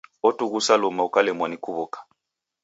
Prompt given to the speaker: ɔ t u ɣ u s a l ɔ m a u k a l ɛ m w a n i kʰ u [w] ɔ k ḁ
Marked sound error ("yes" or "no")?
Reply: yes